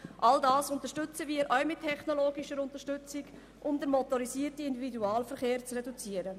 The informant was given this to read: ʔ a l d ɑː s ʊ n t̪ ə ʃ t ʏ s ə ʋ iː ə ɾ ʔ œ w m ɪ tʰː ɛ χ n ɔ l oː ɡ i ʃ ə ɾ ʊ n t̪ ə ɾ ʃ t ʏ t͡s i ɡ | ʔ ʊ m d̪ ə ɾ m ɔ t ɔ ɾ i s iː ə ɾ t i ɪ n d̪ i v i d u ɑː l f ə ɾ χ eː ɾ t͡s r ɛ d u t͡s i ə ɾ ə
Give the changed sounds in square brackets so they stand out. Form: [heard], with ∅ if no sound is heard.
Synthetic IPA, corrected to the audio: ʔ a l d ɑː s ʊ n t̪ ə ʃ t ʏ [t͡s] ə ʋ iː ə ɾ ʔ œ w m ɪ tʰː ɛ χ n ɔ l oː ɡ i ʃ ə ɾ ʊ n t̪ ə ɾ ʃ t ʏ t͡s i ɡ | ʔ ʊ m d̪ ə ɾ m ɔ t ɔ ɾ i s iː ə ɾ t i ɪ n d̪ i v i d u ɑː l f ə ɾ χ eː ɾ t͡s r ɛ d u t͡s i ə ɾ ə